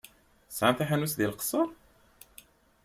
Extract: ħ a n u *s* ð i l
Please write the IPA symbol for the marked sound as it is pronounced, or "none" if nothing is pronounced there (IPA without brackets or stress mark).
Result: s